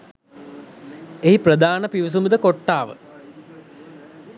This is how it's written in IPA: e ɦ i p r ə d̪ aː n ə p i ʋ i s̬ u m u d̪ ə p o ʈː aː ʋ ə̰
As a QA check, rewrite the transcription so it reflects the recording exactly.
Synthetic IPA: e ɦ i p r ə d̪ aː n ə p i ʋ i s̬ u m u d̪ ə k o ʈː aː ʋ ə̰